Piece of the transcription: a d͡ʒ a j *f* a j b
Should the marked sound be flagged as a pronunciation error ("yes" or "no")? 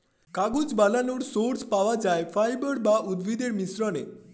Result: no